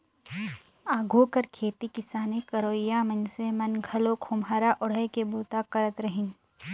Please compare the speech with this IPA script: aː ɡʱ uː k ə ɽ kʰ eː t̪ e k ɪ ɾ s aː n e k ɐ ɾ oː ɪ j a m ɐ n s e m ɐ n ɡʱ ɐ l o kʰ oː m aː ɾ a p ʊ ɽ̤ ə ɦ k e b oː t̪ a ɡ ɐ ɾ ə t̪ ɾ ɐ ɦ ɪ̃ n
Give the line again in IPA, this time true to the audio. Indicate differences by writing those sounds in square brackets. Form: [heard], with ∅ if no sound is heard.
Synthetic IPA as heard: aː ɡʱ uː k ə [ɾ] kʰ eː t̪ [i] k ɪ [∅] s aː n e k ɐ ɾ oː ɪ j a m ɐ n s e m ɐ n ɡʱ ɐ l o kʰ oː m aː ɾ a [ʔ] ʊ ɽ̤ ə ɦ k e b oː t̪ a [k] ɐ ɾ ə t̪ ɾ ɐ ɦ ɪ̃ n